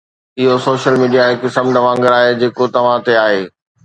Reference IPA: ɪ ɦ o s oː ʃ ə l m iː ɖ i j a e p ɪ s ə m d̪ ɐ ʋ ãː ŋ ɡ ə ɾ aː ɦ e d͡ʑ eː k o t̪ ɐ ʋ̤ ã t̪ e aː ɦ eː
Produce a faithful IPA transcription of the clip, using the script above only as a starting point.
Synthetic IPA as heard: ɪ ɦ o s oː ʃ ə l m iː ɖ i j a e k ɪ s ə m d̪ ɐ ʋ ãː ŋ ɡ ə ɾ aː ɦ e d͡ʑ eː k o t̪ ɐ ʋ̤ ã t̪ e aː ɦ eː